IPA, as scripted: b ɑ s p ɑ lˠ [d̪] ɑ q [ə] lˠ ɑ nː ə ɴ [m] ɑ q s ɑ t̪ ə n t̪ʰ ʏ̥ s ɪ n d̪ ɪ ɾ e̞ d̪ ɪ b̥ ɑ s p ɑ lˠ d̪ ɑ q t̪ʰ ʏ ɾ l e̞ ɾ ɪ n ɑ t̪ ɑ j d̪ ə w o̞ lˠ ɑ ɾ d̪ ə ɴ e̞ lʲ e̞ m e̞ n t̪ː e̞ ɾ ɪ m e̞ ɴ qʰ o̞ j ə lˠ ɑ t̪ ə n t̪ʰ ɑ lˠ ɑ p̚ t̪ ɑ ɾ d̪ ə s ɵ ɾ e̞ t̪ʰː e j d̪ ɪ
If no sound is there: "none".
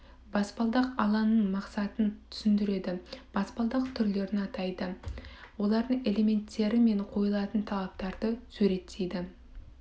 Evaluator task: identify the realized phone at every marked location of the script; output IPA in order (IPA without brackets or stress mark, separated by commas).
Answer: d̪, ɑ, m